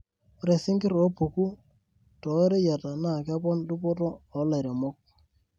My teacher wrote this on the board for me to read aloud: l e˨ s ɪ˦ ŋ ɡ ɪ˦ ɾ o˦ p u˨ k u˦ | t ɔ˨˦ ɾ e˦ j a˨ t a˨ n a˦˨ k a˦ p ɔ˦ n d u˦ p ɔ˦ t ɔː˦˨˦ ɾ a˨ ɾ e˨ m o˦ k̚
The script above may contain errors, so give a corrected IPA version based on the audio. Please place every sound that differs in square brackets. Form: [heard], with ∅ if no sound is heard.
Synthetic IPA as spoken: [ɾ] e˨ s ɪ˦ ŋ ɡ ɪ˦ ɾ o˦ p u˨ k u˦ | t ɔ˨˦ ɾ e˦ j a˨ t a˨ n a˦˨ k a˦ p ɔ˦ n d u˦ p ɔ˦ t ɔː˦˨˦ [l] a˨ ɾ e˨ m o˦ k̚